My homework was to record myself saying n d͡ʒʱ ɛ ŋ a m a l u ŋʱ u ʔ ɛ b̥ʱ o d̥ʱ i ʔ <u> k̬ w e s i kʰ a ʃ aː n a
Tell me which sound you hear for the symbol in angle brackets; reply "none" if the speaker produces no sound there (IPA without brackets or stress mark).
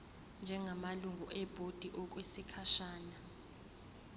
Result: ɔ